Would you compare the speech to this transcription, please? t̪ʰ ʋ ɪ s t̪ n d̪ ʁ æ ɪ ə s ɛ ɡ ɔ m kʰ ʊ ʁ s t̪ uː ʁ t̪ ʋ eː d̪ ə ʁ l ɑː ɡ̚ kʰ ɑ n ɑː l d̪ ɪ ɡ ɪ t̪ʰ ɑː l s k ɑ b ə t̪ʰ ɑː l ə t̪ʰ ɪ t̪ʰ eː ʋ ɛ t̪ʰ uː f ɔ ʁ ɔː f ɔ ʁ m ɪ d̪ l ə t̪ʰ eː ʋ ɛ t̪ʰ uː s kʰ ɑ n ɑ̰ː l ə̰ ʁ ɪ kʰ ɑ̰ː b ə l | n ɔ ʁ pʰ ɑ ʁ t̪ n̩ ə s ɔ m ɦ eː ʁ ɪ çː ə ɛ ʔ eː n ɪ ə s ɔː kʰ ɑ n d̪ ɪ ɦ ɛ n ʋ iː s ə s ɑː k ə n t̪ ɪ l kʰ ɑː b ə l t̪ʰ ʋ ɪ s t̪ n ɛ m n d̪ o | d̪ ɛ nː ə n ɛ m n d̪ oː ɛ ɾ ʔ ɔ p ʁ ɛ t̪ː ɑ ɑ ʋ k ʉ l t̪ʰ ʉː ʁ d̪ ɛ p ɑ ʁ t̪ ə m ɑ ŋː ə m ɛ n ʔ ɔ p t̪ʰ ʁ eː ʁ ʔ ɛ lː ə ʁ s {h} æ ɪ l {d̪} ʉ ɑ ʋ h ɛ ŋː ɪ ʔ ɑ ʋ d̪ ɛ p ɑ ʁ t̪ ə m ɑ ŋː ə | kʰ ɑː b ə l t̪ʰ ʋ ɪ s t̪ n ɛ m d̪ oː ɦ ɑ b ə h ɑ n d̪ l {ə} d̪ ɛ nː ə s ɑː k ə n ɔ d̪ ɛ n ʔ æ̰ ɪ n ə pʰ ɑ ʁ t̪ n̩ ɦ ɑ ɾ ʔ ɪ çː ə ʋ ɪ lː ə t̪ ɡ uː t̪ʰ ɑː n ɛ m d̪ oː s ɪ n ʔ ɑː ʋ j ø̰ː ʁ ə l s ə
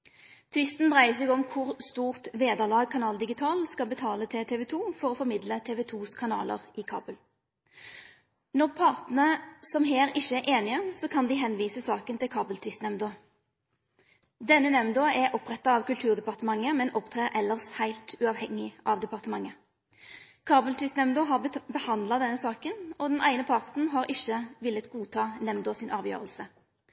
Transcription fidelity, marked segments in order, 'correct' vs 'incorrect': correct, incorrect: t̪, incorrect: ɑ

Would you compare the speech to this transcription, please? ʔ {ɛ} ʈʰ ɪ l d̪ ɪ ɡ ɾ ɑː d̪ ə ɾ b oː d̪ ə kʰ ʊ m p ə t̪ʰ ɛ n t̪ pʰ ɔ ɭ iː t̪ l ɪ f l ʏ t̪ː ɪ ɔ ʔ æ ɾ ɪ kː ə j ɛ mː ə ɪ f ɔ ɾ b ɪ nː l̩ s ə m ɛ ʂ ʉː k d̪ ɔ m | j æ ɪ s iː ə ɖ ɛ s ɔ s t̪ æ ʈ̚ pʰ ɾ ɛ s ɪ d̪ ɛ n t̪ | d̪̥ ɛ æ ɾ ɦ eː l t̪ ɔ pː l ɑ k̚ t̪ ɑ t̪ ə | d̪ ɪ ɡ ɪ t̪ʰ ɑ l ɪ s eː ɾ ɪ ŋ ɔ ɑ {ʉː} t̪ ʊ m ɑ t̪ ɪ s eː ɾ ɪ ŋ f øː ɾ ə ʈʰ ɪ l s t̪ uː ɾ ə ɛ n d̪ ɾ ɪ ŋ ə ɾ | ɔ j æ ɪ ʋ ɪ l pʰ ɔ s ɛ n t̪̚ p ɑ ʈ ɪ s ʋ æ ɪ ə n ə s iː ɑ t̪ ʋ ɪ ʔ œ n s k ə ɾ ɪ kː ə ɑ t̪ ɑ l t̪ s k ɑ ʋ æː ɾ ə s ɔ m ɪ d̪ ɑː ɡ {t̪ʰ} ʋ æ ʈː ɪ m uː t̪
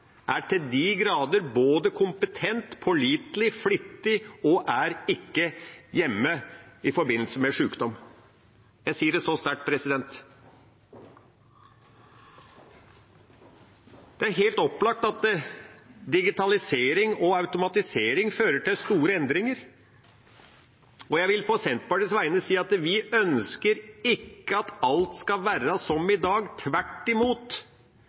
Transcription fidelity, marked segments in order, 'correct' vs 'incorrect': incorrect: æ, incorrect: ʉ, correct

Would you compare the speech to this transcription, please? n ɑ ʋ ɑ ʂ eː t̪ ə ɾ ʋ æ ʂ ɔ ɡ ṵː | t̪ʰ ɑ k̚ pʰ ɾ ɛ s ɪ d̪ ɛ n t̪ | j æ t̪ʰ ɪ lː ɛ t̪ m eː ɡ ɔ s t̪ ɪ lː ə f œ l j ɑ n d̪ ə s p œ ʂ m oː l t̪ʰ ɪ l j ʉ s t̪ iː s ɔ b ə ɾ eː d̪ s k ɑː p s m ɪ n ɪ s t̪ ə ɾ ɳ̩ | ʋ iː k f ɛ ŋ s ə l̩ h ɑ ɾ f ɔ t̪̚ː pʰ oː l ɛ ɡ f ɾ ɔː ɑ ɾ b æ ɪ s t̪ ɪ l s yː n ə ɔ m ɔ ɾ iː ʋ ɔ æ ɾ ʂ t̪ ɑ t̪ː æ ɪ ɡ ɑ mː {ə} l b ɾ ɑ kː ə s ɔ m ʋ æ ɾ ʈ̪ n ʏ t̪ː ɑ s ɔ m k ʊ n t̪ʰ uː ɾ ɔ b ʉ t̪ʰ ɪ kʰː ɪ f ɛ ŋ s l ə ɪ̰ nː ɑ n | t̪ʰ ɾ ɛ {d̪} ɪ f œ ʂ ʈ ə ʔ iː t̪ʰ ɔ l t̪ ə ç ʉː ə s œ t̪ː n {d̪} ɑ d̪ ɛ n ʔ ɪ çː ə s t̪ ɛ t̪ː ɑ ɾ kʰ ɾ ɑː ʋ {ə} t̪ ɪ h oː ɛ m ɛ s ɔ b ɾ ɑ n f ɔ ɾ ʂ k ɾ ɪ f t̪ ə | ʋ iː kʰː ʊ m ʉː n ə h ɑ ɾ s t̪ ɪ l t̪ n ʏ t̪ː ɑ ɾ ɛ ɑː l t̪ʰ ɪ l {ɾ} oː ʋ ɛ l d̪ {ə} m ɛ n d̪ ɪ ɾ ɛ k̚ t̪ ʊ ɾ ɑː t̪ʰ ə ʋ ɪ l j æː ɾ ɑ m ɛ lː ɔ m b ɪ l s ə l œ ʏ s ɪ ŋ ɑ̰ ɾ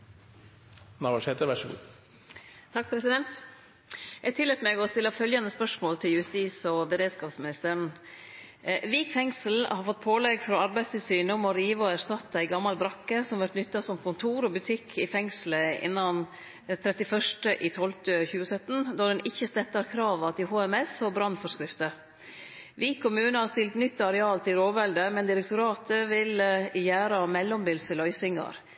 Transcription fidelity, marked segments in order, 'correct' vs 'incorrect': incorrect: ɑ, incorrect: t̪, correct, incorrect: ɑ, correct, correct

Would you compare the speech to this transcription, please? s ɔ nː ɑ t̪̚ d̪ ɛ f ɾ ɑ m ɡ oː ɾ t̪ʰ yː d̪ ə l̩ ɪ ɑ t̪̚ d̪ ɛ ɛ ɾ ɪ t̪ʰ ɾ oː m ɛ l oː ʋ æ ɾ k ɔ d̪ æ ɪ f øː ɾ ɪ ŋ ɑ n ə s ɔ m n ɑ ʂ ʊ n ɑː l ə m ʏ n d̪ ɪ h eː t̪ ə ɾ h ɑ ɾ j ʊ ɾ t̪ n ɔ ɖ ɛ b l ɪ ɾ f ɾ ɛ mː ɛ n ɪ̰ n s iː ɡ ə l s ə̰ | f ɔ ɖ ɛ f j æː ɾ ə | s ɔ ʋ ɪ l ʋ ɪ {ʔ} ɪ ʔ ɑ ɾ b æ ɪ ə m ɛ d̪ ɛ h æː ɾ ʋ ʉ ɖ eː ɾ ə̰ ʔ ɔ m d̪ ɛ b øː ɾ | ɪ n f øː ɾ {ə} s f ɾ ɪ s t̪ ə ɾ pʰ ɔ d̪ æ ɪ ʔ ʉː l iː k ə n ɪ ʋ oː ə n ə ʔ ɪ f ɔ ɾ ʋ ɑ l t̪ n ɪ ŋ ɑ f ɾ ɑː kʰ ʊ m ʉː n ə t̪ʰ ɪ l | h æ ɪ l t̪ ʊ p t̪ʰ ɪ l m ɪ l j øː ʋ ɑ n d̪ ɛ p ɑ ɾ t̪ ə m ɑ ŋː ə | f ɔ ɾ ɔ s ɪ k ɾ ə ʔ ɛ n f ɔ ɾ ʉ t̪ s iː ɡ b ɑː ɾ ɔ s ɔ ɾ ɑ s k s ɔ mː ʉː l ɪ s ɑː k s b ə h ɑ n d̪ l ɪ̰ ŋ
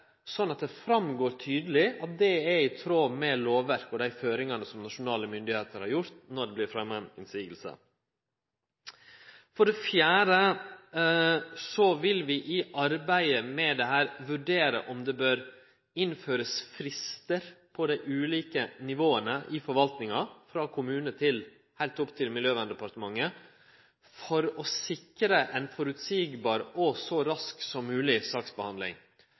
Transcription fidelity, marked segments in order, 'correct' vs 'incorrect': correct, correct

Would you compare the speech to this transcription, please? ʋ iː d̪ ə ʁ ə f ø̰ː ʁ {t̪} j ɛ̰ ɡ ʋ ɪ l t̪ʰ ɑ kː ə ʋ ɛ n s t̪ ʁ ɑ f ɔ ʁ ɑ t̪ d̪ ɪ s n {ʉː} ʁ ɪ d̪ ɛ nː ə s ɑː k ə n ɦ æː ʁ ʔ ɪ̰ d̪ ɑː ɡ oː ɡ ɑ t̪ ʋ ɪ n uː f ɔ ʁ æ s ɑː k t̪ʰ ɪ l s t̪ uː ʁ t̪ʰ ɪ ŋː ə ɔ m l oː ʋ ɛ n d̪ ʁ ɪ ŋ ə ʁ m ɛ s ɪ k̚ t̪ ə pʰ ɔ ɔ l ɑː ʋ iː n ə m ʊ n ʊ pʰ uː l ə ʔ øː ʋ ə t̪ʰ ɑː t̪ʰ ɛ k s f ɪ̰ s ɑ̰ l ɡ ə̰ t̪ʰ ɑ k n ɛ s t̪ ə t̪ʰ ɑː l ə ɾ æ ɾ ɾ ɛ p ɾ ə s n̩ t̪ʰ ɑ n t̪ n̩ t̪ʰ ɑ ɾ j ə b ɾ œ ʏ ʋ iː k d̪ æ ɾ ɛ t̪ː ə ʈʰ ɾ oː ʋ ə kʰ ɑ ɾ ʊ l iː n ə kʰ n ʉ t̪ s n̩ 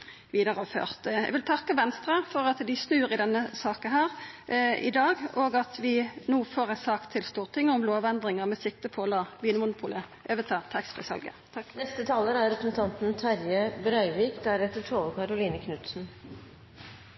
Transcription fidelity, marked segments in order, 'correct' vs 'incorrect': correct, correct

